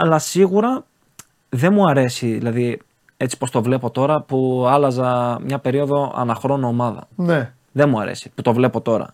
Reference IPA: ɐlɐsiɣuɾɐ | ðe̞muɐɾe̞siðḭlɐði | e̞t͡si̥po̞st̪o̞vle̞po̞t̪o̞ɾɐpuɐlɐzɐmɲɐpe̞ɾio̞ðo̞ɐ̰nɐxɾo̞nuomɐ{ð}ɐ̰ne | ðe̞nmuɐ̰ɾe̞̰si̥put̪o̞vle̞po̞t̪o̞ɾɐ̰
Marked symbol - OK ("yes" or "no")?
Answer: yes